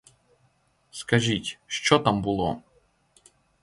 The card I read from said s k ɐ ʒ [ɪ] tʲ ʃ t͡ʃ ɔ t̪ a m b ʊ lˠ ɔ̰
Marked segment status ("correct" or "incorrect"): incorrect